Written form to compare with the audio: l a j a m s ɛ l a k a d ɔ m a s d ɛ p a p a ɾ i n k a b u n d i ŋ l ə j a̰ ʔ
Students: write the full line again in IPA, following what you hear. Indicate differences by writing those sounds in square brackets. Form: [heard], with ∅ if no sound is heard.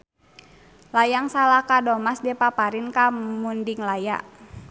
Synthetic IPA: l a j a [ŋ] s [a] l a k a d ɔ m a s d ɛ p a p a ɾ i n k a [m] u n d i ŋ l [a] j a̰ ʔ